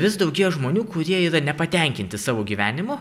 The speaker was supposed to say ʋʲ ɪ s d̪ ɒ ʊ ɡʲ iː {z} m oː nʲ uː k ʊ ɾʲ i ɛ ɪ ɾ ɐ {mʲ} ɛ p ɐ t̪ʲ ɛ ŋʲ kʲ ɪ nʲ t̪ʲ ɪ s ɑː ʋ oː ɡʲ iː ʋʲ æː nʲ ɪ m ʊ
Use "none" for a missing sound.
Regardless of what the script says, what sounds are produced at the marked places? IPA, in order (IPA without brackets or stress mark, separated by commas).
ʒ, nʲ